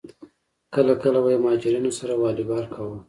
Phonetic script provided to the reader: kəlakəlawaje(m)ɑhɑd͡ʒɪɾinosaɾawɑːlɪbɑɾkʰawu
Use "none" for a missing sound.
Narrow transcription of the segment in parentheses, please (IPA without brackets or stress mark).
m